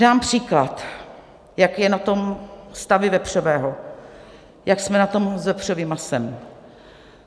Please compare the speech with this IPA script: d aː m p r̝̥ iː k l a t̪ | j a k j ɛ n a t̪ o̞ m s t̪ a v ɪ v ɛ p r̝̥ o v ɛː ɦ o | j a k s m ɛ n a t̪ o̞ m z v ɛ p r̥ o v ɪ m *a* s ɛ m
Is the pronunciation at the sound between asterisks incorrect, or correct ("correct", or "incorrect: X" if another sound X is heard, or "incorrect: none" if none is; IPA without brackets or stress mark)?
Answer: correct